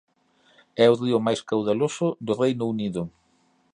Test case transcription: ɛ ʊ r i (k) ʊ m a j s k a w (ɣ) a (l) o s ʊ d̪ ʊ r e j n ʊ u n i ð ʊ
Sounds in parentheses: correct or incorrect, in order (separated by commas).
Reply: incorrect, incorrect, correct